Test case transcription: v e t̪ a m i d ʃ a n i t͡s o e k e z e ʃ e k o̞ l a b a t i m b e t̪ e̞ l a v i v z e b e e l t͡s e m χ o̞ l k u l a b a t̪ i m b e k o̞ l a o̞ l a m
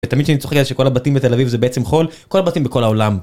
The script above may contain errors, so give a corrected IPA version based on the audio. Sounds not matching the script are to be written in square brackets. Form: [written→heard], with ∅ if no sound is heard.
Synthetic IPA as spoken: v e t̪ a m i d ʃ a n i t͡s o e k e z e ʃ e k o̞ l a b a t i m b e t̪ e̞ l a v i v z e b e e [l→∅] t͡s e m χ o̞ l k [u→o] l a b a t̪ i m b e k o̞ l a o̞ l a m